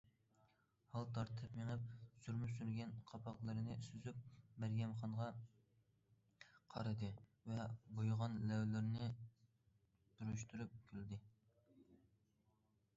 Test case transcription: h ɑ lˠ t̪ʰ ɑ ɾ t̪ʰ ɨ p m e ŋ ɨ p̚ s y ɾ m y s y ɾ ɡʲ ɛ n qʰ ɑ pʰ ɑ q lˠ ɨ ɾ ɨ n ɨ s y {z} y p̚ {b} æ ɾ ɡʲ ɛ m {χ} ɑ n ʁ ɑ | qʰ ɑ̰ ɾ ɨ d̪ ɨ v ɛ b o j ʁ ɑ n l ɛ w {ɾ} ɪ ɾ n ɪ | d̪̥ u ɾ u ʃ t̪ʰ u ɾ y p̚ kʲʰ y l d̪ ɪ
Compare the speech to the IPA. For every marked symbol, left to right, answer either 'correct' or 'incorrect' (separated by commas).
correct, incorrect, correct, incorrect